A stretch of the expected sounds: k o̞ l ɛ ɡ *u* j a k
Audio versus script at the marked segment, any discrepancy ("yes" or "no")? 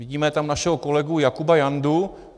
no